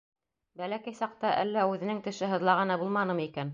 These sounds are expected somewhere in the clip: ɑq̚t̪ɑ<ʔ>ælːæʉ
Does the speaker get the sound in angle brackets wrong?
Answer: no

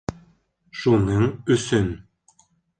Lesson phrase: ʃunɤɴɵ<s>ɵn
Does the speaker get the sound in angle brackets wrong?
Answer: no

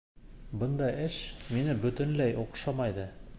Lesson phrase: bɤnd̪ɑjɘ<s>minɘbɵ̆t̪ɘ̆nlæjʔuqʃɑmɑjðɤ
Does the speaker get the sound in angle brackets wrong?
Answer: yes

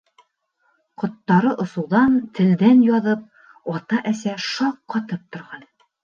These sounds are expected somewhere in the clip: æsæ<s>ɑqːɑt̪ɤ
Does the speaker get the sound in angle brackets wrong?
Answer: yes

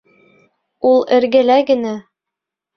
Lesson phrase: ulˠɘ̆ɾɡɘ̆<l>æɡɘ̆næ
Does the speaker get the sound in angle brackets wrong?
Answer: no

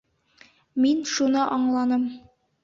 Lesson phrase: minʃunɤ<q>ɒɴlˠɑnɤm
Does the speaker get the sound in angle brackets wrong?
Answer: yes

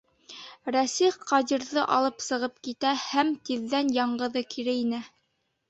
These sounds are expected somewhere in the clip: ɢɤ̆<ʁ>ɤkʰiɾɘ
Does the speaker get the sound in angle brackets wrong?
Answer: yes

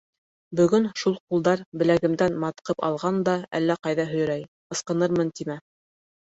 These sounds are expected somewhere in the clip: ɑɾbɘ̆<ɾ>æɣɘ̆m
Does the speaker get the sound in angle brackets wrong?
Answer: yes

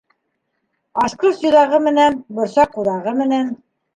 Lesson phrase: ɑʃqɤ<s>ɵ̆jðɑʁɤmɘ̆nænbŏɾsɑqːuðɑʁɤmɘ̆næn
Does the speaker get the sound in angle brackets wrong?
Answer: no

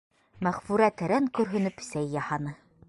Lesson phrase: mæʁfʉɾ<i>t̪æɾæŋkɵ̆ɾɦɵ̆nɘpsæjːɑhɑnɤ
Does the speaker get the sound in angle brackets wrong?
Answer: yes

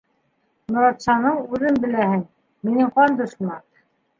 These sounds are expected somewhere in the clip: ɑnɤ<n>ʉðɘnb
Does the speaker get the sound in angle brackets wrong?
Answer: yes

